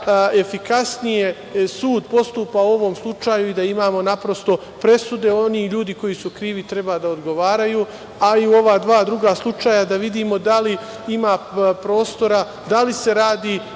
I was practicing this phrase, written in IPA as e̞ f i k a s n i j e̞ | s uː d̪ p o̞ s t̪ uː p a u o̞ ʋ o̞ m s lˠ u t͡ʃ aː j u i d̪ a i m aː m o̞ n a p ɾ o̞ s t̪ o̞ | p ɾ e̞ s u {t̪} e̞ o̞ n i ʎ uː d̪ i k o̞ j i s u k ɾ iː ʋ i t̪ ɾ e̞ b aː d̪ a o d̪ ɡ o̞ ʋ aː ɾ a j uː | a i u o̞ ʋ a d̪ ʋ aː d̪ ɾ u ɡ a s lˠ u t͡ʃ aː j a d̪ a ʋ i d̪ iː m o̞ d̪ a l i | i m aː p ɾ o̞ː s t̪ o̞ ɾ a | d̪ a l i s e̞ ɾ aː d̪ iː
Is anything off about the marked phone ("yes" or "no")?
yes